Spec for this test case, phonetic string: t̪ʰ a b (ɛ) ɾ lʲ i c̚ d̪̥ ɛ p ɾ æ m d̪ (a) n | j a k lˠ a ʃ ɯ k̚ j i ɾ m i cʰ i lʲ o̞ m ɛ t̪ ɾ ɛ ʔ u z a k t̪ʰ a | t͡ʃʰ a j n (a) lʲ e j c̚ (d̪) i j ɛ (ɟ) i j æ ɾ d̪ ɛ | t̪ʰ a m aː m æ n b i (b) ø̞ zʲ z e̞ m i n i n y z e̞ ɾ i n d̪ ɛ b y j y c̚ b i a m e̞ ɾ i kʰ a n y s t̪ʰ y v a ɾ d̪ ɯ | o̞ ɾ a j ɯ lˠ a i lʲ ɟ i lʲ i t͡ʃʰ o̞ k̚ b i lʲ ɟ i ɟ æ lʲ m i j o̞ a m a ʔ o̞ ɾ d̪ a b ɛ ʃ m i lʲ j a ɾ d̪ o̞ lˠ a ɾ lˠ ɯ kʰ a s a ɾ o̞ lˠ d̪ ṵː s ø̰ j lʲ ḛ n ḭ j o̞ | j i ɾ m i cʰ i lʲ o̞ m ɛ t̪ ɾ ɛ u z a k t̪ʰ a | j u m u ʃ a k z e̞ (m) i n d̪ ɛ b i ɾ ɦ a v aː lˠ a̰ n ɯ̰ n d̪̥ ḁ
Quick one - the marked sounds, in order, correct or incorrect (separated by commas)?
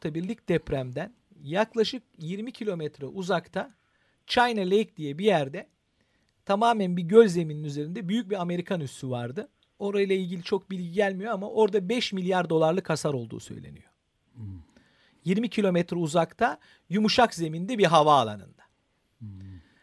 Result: incorrect, incorrect, correct, correct, incorrect, incorrect, correct